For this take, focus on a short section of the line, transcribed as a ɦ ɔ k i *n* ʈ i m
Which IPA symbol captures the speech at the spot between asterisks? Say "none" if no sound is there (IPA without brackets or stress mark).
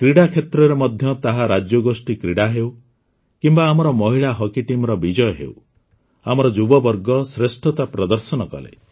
none